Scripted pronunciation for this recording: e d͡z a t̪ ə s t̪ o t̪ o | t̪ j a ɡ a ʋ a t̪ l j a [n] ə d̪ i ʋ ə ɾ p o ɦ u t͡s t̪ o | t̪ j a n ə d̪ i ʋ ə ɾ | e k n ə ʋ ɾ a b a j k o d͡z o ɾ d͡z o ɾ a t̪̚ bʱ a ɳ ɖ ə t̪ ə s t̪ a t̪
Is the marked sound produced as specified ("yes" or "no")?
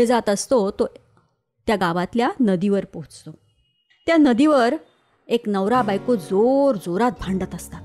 yes